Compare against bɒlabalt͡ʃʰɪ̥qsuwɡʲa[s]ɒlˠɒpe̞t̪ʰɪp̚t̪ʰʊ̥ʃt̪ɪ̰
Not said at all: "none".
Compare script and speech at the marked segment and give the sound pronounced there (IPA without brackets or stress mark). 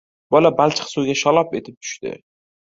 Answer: ʃ